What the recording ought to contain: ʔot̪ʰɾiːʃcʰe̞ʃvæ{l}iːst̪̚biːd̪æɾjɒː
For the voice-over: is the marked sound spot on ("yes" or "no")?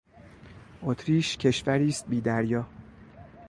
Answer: no